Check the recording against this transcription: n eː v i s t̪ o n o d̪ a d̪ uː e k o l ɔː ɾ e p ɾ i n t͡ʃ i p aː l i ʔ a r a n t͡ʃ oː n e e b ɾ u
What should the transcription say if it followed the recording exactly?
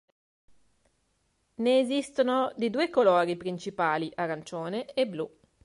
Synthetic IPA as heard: n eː z i s t̪ o n o d̪ i d̪ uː e k o l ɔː ɾ i p ɾ i n t͡ʃ i p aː l i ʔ a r a n t͡ʃ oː n e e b l u